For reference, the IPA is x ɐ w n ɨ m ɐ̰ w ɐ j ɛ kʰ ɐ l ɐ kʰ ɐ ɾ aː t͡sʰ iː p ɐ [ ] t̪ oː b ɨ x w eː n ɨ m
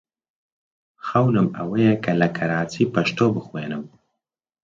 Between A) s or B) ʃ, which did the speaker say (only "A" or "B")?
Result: B